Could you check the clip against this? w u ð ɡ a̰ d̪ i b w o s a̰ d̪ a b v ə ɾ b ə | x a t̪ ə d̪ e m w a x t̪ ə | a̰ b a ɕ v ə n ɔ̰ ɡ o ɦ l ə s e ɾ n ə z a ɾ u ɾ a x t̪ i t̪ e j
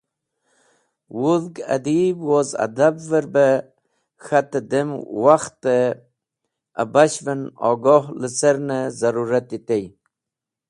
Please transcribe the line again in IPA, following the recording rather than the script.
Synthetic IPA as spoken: w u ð ɡ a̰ d̪ i b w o z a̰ d̪ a b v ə ɾ b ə | x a t̪ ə d̪ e m w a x t̪ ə | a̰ b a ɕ v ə n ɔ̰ ɡ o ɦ l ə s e ɾ n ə z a ɾ u ɾ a t̪ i t̪ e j